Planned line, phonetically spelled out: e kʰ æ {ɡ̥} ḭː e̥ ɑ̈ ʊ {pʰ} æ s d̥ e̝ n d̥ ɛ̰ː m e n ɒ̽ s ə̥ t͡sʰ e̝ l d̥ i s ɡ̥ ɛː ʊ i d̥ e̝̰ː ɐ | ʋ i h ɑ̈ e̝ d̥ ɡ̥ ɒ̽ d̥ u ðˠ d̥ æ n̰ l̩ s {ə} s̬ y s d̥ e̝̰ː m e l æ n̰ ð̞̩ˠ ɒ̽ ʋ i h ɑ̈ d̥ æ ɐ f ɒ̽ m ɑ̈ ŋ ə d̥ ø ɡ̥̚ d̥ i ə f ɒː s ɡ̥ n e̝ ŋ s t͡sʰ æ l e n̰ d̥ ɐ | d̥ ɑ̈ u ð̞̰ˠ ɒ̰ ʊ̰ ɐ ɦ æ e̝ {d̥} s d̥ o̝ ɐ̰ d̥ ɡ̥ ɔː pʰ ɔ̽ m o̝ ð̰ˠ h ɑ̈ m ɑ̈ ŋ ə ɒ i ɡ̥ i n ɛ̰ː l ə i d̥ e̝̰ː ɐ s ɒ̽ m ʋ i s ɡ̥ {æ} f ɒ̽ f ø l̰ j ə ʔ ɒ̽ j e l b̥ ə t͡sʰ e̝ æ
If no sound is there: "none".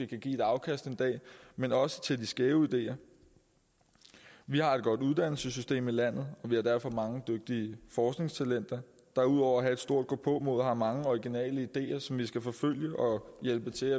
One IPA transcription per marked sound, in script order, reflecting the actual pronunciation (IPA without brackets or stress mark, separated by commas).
ɡ̥, kʰ, ə, d̥, æ